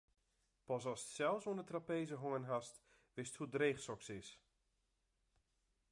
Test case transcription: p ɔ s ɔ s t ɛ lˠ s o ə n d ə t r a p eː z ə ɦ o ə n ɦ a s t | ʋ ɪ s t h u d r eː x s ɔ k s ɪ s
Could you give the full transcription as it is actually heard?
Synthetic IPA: p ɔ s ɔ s s ɛ lˠ s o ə n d ə t r a p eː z ə ɦ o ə n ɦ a s t | ʋ ɪ s t h u d r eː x s ɔ k s ɪ s